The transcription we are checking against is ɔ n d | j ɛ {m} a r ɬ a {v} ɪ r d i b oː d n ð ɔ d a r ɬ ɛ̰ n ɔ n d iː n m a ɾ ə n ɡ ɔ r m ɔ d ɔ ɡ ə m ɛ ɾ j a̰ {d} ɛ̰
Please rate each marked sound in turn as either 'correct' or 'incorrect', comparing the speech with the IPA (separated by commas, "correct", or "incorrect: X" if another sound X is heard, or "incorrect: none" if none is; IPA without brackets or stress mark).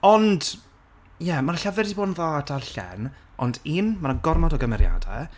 correct, correct, correct